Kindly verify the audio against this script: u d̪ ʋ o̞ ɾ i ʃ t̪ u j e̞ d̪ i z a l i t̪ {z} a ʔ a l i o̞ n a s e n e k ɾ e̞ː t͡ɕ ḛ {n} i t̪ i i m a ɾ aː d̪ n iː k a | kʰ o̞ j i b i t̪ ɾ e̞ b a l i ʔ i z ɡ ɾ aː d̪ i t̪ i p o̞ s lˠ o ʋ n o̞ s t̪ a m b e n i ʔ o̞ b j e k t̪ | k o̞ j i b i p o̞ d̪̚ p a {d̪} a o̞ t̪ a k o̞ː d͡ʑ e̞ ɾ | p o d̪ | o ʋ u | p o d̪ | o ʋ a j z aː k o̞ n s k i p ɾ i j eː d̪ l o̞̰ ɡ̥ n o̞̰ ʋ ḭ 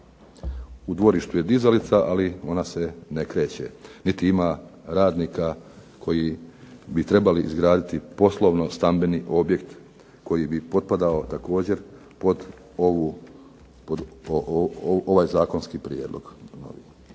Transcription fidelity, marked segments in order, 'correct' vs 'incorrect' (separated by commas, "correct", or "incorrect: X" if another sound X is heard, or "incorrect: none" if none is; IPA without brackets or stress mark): incorrect: s, correct, correct